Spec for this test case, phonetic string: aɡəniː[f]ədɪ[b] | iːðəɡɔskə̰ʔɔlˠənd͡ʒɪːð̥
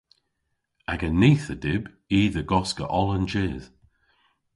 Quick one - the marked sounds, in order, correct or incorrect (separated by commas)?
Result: incorrect, correct